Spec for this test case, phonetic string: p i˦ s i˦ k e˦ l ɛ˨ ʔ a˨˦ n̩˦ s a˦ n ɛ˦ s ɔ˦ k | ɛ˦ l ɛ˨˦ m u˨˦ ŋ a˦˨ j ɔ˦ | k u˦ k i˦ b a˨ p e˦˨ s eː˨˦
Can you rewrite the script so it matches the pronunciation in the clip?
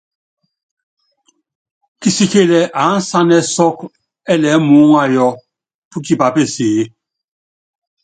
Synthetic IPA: k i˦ s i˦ k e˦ l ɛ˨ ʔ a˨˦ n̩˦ s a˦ n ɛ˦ s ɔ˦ k | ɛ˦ l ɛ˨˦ m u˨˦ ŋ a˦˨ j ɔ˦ | p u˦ k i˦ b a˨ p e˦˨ s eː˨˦

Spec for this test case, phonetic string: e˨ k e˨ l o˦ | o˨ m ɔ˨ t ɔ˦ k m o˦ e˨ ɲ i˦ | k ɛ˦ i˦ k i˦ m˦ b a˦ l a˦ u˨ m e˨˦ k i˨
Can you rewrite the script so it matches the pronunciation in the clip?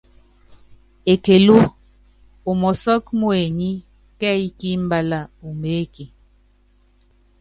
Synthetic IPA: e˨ k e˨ l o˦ | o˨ m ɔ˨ s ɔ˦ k m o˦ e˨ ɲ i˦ | k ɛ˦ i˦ k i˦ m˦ b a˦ l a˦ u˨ m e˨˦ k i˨

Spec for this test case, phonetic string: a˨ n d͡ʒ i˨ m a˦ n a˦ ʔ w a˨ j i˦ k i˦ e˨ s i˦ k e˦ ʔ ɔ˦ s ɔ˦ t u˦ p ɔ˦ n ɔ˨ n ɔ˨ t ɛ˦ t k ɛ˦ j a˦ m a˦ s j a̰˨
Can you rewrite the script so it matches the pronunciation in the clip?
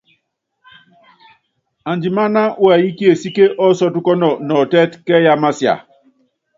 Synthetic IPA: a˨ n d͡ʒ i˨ m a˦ n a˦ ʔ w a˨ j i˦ k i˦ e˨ s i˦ k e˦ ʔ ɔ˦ s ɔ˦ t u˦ k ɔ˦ n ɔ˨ n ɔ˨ t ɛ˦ t k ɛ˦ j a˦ m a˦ s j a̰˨

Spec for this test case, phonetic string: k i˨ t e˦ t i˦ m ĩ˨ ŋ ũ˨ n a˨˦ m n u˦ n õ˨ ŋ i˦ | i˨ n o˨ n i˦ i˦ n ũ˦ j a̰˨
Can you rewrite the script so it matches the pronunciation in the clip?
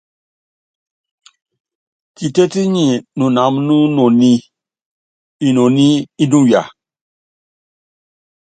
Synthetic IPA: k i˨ t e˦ t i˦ ɲ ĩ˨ n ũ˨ n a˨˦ m n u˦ n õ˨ n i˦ | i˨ n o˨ n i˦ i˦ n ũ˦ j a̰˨

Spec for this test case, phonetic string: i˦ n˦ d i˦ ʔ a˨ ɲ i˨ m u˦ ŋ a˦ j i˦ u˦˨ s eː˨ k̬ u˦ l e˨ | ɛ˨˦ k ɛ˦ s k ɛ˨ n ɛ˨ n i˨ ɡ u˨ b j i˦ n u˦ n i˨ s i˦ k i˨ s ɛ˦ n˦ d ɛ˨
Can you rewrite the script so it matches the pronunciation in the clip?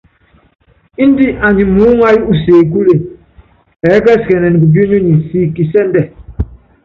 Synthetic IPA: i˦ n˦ d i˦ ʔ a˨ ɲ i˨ m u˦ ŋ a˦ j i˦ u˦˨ s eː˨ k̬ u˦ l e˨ | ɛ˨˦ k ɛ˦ s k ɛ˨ n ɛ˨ n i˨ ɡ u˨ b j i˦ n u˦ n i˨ s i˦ k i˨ s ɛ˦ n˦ d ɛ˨

